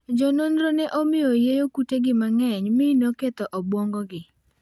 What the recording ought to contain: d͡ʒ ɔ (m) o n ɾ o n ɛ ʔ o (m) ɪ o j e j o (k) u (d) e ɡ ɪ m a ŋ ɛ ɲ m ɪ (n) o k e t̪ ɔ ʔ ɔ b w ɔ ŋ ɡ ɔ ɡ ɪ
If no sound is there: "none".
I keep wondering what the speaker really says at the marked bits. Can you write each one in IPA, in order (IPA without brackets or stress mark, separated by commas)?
n, m, k, t, n